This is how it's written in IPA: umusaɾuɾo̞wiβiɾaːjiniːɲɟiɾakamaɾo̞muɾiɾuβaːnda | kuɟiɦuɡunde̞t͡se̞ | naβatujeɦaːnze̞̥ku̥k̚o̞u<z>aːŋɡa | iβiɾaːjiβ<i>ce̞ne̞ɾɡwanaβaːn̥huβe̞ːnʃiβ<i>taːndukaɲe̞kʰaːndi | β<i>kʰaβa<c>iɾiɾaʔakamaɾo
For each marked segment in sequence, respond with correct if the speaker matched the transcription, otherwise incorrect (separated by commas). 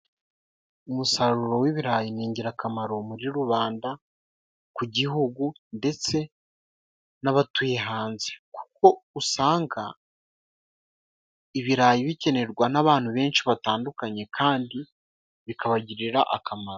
incorrect, correct, incorrect, correct, incorrect